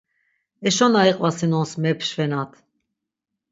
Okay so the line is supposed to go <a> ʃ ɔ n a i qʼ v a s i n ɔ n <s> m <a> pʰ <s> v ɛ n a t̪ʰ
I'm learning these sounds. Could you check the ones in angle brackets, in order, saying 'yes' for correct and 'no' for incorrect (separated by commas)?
no, yes, no, no